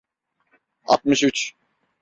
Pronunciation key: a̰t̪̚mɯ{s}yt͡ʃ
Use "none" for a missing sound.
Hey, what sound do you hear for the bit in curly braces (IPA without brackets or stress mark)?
ʃ